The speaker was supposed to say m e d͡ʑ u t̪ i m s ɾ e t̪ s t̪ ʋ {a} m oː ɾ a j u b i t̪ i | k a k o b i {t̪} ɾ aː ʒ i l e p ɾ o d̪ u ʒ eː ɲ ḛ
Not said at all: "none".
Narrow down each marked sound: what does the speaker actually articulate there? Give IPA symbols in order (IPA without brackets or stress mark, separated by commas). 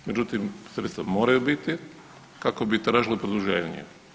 a, t̪